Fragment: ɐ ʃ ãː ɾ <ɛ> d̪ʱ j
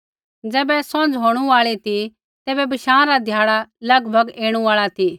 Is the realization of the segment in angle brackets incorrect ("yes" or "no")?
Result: yes